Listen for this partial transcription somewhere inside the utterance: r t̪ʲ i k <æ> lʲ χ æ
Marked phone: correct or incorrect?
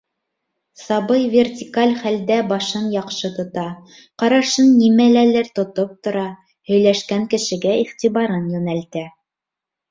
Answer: incorrect